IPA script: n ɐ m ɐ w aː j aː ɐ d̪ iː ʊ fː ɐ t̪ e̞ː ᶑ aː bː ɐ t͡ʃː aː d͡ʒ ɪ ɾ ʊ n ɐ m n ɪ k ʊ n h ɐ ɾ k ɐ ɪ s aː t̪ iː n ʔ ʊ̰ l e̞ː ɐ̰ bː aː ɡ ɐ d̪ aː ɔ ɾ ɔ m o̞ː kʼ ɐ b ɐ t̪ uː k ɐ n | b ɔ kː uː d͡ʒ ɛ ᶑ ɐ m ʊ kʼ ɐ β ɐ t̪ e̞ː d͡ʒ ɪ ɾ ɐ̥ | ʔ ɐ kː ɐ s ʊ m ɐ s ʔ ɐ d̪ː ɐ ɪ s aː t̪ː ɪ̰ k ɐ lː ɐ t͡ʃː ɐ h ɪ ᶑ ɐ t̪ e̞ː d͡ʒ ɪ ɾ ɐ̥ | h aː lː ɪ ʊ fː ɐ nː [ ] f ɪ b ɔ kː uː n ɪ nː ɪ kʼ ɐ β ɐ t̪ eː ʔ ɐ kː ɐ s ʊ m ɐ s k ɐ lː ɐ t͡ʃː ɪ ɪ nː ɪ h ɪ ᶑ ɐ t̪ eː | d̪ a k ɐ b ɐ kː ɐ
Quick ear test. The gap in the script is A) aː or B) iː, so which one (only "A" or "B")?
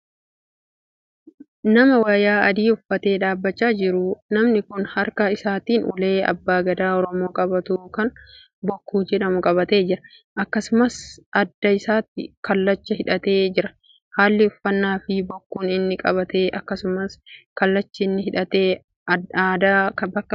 A